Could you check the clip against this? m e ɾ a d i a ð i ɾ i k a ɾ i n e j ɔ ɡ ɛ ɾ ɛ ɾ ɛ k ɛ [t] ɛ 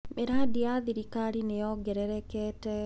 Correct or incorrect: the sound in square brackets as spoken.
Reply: correct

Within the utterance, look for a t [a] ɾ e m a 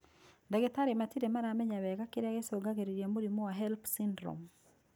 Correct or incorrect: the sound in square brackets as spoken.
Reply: incorrect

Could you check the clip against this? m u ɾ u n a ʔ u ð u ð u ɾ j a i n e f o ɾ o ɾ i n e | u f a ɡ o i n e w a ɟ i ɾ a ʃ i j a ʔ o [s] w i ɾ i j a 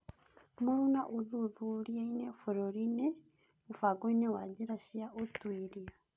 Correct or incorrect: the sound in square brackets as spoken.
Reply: incorrect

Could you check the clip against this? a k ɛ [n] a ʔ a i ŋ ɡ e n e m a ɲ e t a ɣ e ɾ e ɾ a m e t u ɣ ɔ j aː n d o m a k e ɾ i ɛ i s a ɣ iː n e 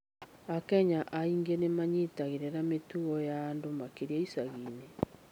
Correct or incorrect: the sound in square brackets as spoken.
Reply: incorrect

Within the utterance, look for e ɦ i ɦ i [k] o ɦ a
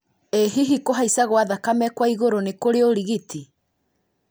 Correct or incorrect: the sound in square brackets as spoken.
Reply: correct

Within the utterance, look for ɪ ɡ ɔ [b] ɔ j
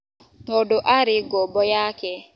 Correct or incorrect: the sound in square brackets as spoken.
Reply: correct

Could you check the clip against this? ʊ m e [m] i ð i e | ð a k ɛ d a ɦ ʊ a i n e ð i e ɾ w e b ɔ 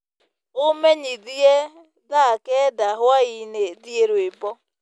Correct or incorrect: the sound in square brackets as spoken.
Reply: incorrect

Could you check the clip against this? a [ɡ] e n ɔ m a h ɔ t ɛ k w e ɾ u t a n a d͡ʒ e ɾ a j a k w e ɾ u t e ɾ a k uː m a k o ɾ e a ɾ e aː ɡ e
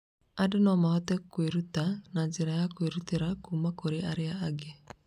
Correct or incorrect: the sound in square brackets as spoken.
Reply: incorrect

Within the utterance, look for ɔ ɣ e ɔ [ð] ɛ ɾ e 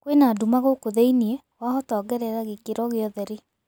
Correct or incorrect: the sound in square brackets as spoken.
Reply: correct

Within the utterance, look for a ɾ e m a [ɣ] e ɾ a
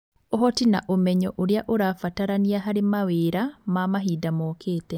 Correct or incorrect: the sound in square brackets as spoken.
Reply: incorrect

